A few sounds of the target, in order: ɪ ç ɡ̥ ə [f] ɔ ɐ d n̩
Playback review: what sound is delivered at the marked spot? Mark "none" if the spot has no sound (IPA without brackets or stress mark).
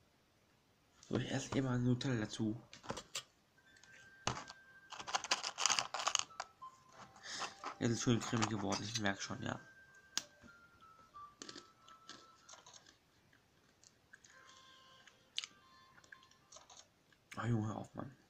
v